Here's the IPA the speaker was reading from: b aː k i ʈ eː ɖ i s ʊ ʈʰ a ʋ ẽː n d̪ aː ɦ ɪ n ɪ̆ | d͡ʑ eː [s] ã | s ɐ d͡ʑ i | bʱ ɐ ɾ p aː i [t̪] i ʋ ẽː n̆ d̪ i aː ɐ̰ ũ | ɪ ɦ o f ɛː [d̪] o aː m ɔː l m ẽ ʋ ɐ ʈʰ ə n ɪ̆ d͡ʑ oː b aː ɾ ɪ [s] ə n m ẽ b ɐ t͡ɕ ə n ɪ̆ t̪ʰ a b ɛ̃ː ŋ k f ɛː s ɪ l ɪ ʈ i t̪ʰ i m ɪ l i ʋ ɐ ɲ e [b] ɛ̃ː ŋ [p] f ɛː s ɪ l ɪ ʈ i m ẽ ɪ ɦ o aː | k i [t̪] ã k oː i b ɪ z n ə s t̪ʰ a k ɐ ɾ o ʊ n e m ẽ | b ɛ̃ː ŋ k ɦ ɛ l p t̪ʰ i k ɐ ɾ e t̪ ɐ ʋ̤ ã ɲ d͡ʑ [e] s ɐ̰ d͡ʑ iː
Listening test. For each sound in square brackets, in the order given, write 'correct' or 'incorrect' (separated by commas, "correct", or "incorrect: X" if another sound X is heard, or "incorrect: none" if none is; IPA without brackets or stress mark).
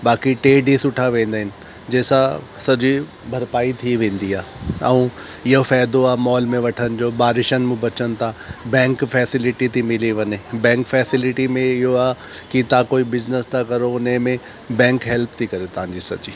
correct, incorrect: t̪ʰ, correct, incorrect: ʃ, correct, incorrect: k, correct, incorrect: i